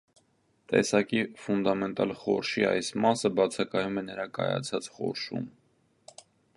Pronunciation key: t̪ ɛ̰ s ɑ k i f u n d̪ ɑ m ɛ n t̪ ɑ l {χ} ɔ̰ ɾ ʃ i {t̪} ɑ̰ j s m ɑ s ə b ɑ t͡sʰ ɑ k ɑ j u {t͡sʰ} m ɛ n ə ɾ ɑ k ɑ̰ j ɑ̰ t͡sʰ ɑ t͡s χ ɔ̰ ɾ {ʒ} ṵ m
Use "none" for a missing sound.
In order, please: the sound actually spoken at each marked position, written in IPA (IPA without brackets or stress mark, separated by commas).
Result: χ, none, none, ʃ